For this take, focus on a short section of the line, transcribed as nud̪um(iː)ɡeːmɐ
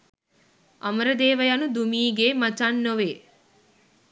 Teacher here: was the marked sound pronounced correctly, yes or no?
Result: yes